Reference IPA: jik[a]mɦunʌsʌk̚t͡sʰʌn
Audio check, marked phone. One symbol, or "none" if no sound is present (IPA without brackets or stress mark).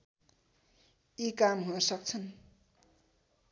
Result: a